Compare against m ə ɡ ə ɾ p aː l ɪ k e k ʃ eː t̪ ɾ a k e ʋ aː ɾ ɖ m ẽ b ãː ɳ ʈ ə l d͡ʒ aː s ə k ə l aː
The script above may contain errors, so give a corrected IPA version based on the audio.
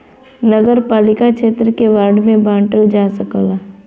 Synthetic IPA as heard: n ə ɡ ə ɾ p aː l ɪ k a k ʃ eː t̪ ɾ ə k e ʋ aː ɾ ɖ m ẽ b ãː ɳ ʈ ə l d͡ʒ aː s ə k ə l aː